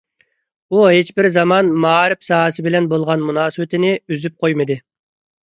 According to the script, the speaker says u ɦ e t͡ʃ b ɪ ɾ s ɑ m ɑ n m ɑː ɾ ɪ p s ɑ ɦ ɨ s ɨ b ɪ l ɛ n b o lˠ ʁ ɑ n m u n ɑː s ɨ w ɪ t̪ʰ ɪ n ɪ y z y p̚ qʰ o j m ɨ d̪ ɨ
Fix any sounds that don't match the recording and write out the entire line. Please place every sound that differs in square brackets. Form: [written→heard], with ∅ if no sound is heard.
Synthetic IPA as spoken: u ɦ e t͡ʃ b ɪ ɾ [s→z] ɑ m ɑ n m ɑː ɾ ɪ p s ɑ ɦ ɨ s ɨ b ɪ l ɛ n b o lˠ ʁ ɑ n m u n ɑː s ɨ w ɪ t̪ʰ ɪ n ɪ y z y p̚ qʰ o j m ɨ d̪ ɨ